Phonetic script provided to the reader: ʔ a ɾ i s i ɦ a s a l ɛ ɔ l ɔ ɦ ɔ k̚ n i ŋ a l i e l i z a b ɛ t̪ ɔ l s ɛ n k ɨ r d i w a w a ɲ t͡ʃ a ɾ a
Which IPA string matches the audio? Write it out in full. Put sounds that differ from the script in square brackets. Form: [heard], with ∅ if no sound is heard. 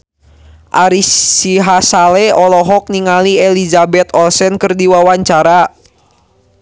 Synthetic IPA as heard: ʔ a ɾ i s i ɦ a s a l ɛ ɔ l ɔ ɦ ɔ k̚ n i ŋ a l i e l i z a b ɛ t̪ ɔ l s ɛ n k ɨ r d i w a w a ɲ t͡ʃ a ɾ a